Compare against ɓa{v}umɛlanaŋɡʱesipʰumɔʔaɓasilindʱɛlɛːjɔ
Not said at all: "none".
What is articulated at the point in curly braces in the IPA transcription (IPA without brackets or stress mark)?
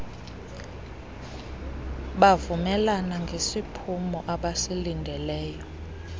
v